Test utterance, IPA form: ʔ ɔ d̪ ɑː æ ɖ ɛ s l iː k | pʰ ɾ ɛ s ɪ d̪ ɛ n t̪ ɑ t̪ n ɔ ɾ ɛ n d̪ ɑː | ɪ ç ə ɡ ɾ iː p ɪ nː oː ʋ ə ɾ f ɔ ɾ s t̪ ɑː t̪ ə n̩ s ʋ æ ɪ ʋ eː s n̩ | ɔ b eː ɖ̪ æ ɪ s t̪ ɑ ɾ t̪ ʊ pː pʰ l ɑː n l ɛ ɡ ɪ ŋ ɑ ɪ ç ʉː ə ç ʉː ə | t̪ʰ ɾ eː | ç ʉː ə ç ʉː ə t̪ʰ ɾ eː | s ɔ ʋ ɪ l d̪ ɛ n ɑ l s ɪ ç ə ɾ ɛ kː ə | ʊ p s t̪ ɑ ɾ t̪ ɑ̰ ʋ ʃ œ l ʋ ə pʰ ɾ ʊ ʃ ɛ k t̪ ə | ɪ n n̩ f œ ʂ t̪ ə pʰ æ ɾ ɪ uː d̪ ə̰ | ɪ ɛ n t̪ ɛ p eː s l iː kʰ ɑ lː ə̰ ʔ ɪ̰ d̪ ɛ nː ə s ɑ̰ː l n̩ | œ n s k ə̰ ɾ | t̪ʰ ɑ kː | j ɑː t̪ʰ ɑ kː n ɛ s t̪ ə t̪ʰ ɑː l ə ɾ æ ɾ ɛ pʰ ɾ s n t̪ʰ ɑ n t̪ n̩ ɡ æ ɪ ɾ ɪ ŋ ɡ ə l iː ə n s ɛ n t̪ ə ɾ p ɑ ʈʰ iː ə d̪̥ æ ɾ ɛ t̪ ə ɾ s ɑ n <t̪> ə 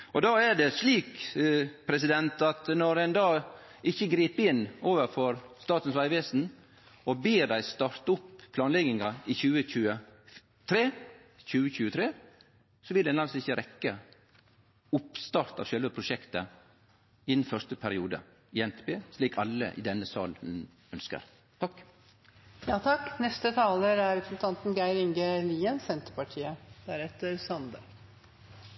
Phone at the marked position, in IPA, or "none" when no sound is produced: d̪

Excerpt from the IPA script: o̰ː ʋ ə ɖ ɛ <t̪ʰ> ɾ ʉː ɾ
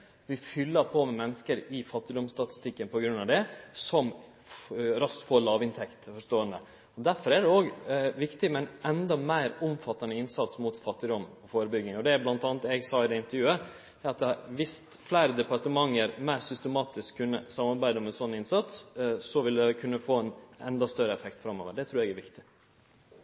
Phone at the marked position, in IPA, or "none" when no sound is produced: t̪ʰ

